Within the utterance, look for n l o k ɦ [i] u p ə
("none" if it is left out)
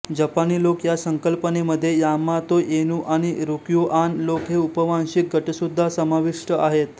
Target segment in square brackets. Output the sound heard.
e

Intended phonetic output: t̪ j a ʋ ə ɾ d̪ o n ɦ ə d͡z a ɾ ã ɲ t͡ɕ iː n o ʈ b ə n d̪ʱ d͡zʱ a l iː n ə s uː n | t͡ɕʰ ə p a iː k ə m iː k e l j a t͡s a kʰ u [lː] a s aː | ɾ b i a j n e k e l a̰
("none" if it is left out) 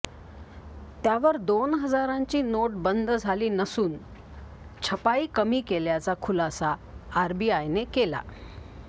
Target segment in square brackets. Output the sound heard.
l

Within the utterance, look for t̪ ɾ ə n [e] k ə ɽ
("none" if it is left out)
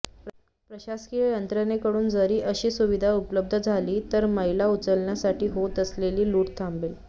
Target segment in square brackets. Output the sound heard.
e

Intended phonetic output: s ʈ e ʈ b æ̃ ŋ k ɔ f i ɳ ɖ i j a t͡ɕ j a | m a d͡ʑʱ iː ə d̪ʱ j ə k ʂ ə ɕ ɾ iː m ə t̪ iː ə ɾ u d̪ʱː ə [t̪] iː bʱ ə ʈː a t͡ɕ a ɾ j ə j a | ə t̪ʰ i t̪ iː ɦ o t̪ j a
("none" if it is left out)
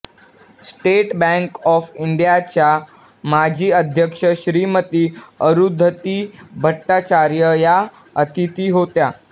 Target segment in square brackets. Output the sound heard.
t̪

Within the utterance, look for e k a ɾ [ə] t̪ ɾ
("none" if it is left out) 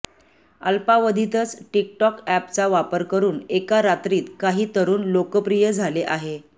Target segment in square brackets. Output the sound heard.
a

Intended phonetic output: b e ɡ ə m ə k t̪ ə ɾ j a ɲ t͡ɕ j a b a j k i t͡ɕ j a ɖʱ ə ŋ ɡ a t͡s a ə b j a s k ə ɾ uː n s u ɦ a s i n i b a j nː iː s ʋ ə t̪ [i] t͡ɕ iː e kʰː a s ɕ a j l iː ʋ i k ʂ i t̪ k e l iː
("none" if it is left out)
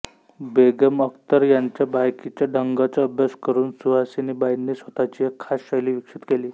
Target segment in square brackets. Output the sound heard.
a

